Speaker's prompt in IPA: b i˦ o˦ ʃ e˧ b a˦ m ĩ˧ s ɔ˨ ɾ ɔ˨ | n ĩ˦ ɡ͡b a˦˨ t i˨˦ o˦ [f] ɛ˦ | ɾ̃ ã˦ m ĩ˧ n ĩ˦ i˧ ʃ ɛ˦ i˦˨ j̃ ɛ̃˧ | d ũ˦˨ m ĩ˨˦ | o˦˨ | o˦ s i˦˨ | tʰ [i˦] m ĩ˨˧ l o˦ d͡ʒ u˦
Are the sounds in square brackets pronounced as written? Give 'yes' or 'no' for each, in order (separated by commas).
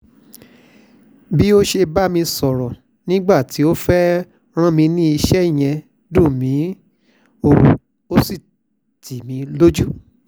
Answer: yes, no